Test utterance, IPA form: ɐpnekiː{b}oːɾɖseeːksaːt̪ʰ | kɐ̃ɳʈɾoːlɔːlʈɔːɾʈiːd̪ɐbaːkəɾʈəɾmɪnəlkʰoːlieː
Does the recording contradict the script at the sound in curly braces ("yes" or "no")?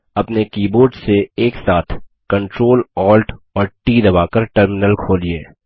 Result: no